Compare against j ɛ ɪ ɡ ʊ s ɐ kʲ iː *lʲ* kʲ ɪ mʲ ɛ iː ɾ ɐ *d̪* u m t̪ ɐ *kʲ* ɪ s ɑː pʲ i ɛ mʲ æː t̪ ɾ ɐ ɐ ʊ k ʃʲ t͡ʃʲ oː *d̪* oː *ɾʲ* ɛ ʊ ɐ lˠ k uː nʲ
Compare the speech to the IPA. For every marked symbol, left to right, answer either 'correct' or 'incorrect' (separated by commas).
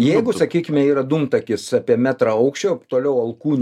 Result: incorrect, correct, correct, incorrect, incorrect